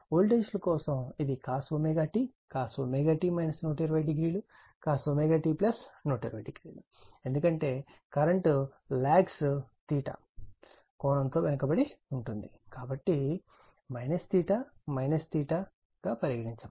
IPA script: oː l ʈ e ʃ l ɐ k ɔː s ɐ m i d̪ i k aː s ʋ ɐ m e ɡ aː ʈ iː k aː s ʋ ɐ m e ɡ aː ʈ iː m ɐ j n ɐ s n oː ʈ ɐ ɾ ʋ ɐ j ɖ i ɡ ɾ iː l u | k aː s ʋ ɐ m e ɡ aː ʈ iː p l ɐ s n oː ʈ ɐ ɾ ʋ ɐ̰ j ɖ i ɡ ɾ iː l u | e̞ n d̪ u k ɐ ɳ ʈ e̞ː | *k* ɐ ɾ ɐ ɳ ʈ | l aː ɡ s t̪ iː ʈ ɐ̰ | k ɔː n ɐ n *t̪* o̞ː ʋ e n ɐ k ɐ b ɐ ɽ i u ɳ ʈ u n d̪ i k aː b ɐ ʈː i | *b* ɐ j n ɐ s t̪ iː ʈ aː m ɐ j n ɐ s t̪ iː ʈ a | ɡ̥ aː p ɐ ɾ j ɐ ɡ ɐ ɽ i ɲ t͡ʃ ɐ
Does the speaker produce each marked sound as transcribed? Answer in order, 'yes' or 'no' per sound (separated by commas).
yes, yes, no